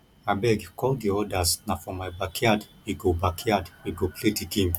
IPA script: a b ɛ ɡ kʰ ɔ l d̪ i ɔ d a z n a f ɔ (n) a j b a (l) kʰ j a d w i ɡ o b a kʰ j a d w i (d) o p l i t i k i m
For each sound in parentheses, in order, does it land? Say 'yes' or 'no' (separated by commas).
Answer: no, no, no